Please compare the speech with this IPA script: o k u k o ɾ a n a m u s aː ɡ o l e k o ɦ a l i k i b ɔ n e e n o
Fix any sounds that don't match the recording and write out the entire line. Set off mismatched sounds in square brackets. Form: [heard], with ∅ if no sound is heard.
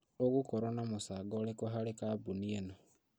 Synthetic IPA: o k u k o ɾ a n a m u s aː ɡ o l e k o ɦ a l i k [a] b [u] n [i] e n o